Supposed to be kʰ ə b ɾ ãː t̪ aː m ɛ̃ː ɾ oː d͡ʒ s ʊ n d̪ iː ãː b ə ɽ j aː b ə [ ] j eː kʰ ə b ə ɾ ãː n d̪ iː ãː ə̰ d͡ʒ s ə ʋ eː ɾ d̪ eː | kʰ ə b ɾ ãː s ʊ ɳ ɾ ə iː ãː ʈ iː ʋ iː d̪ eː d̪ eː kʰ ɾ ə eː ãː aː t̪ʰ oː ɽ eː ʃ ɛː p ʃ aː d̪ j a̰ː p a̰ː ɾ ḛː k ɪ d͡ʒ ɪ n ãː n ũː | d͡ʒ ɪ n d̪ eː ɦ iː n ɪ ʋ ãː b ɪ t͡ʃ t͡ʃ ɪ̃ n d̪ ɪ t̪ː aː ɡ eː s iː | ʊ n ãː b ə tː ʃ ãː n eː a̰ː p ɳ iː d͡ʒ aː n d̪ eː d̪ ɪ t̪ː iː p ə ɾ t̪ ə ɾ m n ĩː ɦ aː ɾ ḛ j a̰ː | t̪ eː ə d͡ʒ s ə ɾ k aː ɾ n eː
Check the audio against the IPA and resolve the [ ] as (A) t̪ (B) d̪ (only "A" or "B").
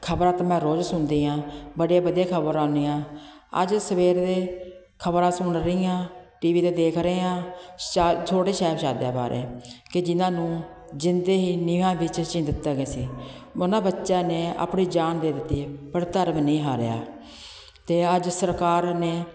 B